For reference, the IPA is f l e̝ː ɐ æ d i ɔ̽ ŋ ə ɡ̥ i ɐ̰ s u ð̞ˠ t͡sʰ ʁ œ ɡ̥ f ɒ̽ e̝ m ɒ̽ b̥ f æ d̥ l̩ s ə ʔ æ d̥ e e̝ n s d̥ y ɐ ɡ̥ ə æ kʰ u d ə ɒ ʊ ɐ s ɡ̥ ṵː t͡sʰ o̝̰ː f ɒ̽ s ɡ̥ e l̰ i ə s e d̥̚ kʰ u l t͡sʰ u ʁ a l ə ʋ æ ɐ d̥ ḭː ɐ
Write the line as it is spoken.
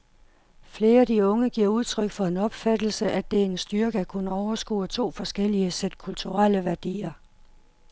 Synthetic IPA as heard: f l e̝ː ɐ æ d i ɔ̽ ŋ ə ɡ̥ i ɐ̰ u ð̞ˠ t͡sʰ ʁ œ ɡ̥ f ɒ̽ e̝ n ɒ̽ b̥ f æ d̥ l̩ s ə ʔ æ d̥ e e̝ n s d̥ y ɐ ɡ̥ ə æ kʰ u n ə ɒ ʊ ɐ s ɡ̥ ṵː t͡sʰ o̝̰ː f ɒ̽ s ɡ̥ e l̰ i ə s e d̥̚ kʰ u l t͡sʰ u ʁ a l ə ʋ æ ɐ d̥ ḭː ɐ